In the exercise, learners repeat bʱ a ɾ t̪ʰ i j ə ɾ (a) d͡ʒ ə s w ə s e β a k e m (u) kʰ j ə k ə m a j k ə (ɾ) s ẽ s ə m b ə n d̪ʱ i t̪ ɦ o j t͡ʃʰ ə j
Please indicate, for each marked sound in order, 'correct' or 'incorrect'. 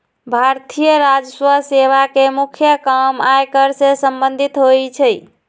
correct, correct, correct

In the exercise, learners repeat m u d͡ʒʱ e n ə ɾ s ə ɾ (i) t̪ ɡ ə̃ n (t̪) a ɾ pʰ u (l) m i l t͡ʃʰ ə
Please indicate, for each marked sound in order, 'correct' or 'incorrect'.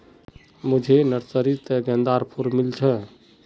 correct, incorrect: d̪, incorrect: ɾ

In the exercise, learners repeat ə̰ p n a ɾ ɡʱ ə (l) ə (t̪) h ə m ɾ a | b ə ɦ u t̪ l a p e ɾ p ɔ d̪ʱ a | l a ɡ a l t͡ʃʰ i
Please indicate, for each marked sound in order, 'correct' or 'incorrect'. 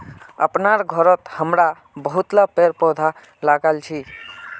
incorrect: ɾ, correct

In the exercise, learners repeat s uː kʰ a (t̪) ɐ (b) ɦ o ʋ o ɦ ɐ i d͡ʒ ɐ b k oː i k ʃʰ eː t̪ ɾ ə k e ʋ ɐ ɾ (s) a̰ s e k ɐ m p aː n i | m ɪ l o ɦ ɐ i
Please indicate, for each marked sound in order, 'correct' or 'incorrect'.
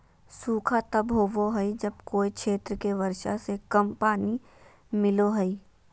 correct, correct, incorrect: ʃ

